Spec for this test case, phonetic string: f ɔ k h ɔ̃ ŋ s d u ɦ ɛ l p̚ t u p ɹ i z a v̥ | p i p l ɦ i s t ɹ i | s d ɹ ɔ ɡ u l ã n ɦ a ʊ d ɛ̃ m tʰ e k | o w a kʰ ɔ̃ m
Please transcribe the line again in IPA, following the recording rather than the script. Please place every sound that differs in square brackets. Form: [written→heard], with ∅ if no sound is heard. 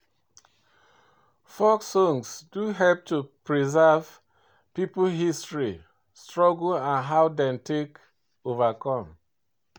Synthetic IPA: f ɔ k [h→s] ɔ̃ ŋ s d u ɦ ɛ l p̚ t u p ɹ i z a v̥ | p i p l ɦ i s t ɹ i | s [d→t] ɹ ɔ ɡ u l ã n ɦ a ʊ d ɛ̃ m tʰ e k | o [w→v] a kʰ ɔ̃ m